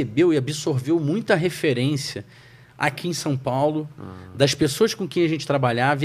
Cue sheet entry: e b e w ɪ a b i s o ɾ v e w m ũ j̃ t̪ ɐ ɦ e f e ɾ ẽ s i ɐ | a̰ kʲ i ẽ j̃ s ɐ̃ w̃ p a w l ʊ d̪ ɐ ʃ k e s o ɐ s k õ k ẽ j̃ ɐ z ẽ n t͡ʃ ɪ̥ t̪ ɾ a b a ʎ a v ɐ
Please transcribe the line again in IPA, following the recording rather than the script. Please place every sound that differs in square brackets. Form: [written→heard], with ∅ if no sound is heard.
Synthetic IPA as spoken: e b e w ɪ a b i s o ɾ v e w m ũ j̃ t̪ ɐ ɦ e f e ɾ ẽ s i ɐ | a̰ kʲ i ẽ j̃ s ɐ̃ w̃ p a w l ʊ d̪ ɐ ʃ [k→p] e s o ɐ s k õ k ẽ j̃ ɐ [z→ʒ] ẽ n t͡ʃ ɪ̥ t̪ ɾ a b a ʎ a v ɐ